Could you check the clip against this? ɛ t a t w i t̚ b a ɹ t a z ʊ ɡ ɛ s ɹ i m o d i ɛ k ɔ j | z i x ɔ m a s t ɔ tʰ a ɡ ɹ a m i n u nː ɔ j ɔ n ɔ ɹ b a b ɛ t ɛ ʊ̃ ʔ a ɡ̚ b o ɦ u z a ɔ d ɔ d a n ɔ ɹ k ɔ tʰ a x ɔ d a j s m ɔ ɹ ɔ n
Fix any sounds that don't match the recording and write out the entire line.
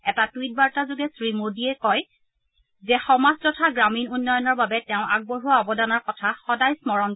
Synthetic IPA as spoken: ɛ t a t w i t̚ b a ɹ t a z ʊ ɡ ɛ s ɹ i m o d i ɛ k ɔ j | z ɛ x ɔ m a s t ɔ tʰ a ɡ ɹ a m i n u nː ɔ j ɔ n ɔ ɹ b a b ɛ t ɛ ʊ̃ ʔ a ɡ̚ b o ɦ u a ɔ b ɔ d a n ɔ ɹ k ɔ tʰ a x ɔ d a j s m ɔ ɹ ɔ n